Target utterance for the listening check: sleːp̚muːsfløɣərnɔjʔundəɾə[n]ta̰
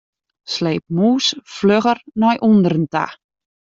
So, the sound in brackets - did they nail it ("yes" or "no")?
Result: yes